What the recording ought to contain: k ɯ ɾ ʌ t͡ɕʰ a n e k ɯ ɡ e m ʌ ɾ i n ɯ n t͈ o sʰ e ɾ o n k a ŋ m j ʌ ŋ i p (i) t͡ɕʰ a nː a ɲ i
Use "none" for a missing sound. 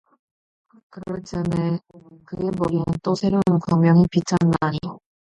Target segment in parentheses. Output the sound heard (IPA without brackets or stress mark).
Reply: i